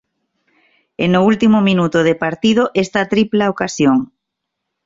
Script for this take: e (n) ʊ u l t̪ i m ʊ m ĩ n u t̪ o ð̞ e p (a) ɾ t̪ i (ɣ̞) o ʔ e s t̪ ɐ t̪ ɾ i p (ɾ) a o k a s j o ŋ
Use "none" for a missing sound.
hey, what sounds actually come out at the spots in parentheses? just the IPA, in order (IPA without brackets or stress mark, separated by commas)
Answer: n, a, ð̞, l